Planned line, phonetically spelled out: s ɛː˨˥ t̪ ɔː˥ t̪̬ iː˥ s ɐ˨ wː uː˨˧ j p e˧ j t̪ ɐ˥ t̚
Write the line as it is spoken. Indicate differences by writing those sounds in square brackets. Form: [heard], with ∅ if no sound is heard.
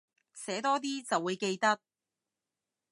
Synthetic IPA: s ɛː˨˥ t̪ ɔː˥ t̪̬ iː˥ [t͡s] ɐ˨ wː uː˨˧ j [k] e˧ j t̪ ɐ˥ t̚

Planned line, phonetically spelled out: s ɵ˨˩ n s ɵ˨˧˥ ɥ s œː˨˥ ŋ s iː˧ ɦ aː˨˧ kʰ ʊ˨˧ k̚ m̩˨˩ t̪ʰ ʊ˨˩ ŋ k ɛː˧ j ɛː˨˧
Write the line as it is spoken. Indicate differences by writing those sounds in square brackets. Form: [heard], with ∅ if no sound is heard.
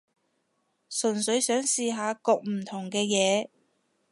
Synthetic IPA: s ɵ˨˩ n s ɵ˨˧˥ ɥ s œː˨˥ ŋ s iː˧ ɦ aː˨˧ [k] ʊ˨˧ k̚ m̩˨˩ t̪ʰ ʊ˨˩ ŋ k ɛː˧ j ɛː˨˧

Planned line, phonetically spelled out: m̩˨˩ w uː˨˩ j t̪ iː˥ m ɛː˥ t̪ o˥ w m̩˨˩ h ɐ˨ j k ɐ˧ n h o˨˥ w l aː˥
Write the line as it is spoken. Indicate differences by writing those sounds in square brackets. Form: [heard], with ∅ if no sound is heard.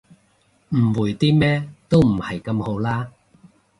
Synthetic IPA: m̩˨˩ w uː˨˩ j t̪ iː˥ m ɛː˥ t̪ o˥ w m̩˨˩ h ɐ˨ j k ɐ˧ [m] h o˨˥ w l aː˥

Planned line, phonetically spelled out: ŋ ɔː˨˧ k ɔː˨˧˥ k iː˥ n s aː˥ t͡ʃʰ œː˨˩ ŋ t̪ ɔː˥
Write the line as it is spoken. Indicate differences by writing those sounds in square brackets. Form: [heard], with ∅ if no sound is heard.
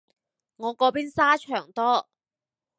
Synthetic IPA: ŋ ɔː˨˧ k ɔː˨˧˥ [p] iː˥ n s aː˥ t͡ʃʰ œː˨˩ ŋ t̪ ɔː˥

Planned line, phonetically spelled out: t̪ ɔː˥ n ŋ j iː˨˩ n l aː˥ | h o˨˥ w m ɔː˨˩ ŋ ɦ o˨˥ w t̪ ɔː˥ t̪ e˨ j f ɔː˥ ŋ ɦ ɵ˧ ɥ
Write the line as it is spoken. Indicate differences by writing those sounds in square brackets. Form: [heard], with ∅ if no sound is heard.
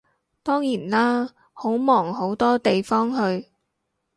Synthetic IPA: t̪ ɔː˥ [∅] ŋ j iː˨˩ n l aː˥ | h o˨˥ w m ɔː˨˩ ŋ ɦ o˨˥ w t̪ ɔː˥ t̪ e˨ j f ɔː˥ ŋ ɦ ɵ˧ ɥ

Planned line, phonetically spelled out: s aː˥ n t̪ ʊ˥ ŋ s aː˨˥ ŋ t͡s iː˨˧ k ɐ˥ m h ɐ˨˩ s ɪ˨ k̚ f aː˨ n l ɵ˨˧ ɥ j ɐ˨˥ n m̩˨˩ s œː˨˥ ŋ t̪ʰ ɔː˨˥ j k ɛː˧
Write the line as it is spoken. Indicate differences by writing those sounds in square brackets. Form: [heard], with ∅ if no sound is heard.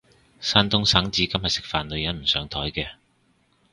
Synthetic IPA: s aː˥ n t̪ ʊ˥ ŋ s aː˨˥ ŋ t͡s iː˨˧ k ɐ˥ m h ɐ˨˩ s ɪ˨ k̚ f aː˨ n l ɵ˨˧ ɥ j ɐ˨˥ n m̩˨˩ s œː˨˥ ŋ t̪ʰ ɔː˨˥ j k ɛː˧

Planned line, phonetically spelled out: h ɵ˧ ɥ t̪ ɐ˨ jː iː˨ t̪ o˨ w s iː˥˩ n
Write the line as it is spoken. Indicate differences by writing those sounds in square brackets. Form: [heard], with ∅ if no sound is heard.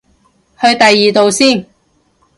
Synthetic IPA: h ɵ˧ ɥ t̪ ɐ˨ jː iː˨ t̪ o˨ w s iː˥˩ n

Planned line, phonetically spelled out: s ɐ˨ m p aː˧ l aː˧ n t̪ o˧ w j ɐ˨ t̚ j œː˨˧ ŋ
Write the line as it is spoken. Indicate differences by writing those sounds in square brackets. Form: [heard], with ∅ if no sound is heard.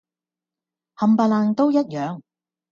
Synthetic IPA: [h] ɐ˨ m p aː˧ l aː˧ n t̪ [o˥] w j [ɐ˥] t̚ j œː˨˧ ŋ

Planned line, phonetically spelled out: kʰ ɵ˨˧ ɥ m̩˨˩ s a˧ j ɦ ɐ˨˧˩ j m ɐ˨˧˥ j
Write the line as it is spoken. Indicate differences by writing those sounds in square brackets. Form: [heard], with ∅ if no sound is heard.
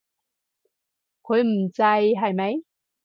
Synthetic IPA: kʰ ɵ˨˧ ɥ m̩˨˩ [t͡s] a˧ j ɦ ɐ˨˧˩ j m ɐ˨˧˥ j

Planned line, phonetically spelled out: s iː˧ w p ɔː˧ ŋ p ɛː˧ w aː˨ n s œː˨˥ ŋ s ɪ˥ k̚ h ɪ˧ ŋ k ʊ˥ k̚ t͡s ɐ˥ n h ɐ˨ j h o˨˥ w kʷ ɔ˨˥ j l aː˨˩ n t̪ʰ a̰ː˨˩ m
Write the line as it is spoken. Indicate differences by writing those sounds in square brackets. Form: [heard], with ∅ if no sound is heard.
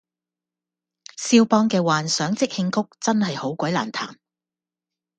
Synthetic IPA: s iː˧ w p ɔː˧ ŋ [k] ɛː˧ w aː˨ n s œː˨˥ ŋ [t͡s] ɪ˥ k̚ h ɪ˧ ŋ k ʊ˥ k̚ t͡s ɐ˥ n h ɐ˨ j h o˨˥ w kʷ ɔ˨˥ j l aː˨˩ n t̪ʰ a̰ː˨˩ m

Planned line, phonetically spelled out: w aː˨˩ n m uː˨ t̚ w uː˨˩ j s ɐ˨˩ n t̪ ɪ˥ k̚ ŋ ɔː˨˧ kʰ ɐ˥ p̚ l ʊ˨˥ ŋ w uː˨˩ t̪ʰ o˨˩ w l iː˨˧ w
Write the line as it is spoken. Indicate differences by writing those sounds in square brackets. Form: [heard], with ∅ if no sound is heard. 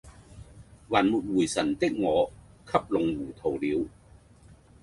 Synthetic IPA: w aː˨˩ n m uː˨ t̚ w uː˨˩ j s ɐ˨˩ n t̪ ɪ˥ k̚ ŋ ɔː˨˧ kʰ ɐ˥ p̚ l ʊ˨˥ ŋ w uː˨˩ t̪ʰ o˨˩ w l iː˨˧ w

